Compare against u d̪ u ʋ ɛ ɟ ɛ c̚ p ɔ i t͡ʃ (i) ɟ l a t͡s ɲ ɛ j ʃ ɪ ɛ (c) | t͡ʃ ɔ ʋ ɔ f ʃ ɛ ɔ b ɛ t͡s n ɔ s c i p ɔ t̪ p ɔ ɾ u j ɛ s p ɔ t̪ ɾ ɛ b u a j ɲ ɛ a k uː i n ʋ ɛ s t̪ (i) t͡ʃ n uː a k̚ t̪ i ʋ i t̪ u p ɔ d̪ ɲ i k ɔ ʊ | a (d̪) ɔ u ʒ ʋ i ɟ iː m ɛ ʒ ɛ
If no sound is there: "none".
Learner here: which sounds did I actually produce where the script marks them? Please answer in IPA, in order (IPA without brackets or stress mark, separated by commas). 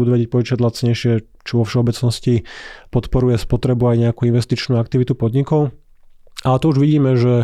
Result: a, none, i, t̪